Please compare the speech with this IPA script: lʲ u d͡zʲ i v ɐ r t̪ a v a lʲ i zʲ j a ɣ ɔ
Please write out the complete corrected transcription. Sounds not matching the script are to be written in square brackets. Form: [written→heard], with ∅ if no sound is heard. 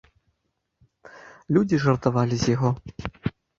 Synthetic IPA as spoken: lʲ u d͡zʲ i [v→ʐ] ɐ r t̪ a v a lʲ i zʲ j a ɣ ɔ